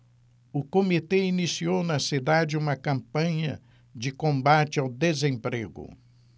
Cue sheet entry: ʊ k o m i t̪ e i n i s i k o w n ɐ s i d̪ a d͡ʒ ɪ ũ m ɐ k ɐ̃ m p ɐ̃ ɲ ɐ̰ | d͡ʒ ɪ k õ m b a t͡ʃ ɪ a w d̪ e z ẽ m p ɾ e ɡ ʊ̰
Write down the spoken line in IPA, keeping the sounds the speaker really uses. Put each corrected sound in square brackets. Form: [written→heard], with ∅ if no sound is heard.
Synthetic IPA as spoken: ʊ k o m i t̪ e i n i s i [k→∅] o w n ɐ s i d̪ a d͡ʒ ɪ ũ m ɐ k ɐ̃ m p ɐ̃ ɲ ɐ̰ | d͡ʒ ɪ k õ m b a t͡ʃ ɪ a w d̪ e z ẽ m p ɾ e ɡ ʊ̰